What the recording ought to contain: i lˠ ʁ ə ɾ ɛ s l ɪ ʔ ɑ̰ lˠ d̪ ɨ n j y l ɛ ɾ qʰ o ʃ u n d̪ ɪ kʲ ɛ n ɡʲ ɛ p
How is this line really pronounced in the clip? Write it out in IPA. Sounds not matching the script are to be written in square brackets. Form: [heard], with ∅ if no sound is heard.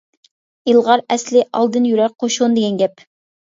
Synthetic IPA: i lˠ ʁ [ɑ] ɾ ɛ s l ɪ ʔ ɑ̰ lˠ d̪ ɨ n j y [ɾ] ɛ ɾ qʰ o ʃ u n d̪ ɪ [ɡʲ] ɛ n ɡʲ ɛ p